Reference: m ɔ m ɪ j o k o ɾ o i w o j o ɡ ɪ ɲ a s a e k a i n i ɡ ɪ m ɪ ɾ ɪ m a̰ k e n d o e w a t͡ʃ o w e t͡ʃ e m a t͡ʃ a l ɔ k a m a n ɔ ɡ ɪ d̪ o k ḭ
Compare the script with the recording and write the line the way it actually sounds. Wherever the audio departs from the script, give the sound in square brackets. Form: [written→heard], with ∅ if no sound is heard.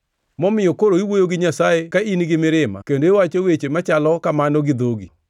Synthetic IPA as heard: m ɔ m ɪ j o k o ɾ o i w o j o ɡ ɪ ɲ a s a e k a i n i ɡ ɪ m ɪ ɾ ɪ m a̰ k e n d o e w a t͡ʃ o w e t͡ʃ e m a t͡ʃ a l ɔ k a m a n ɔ ɡ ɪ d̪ o [k→ɡ] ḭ